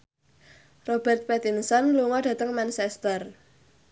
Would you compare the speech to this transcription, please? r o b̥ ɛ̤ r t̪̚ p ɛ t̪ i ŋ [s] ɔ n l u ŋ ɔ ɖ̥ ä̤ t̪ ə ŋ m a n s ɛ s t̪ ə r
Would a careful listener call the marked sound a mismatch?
no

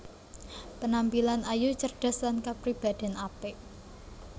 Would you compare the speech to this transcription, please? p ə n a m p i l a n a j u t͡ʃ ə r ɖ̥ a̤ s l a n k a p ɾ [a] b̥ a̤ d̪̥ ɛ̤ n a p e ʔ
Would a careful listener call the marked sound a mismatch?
yes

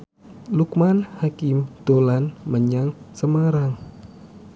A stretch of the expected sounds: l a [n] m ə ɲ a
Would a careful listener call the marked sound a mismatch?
no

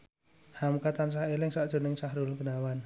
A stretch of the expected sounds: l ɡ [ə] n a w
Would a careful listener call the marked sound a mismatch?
no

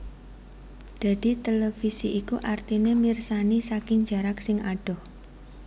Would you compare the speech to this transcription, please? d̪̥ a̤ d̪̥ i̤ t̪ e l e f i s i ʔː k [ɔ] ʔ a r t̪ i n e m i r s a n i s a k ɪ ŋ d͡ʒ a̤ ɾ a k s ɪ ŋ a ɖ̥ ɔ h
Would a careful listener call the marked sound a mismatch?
yes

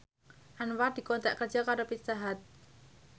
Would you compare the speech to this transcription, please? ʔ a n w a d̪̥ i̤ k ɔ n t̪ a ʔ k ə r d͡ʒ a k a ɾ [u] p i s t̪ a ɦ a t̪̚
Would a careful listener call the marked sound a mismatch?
yes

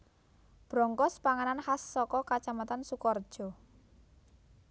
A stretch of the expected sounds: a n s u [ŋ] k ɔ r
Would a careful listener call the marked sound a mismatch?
yes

